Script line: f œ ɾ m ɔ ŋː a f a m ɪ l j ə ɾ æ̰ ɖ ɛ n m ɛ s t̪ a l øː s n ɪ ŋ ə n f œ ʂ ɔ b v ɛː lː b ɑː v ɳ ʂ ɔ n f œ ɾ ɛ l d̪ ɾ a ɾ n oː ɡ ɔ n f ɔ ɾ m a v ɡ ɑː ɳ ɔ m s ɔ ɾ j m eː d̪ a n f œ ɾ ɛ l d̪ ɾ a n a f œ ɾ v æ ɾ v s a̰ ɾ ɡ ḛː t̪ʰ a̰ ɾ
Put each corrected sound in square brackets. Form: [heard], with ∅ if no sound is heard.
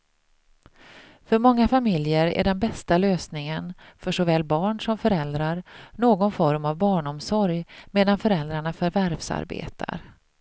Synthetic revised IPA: f œ ɾ m ɔ ŋː a f a m ɪ l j ə ɾ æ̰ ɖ ɛ n [b] ɛ s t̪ a l øː s n ɪ ŋ ə n f œ ʂ ɔ [∅] v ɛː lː b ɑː [∅] ɳ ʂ ɔ [m] f œ ɾ ɛ l d̪ ɾ a ɾ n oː ɡ ɔ n f ɔ ɾ m a v [b] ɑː ɳ ɔ m s ɔ ɾ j m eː d̪ a n f œ ɾ ɛ l d̪ ɾ a [ɳ] a f œ ɾ v æ ɾ v s a̰ ɾ [b] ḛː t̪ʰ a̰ ɾ